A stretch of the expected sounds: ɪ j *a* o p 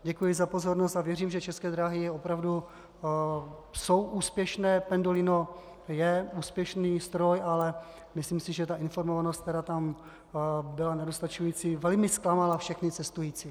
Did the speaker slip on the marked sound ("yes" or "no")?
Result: yes